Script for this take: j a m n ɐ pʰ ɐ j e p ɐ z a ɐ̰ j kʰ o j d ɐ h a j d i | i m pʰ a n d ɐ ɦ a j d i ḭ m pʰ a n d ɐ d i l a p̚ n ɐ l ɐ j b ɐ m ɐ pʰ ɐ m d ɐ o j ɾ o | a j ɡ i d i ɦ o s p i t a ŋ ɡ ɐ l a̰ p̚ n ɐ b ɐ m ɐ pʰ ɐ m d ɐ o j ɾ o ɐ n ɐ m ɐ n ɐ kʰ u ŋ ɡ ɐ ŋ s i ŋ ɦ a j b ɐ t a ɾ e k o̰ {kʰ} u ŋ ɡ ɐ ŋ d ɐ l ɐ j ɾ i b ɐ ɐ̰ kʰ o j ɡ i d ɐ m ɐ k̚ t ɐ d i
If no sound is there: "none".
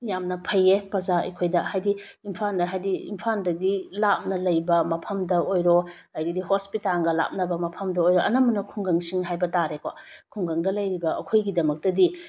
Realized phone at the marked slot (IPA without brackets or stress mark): kʰ